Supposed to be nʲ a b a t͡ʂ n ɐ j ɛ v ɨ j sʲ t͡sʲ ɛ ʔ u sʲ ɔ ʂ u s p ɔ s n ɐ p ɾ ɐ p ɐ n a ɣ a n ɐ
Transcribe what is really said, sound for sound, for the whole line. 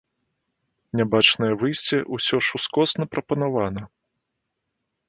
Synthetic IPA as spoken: nʲ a b a t͡ʂ n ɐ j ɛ v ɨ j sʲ t͡sʲ ɛ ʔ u sʲ ɔ ʂ u s k ɔ s n ɐ p ɾ ɐ p ɐ n a v a n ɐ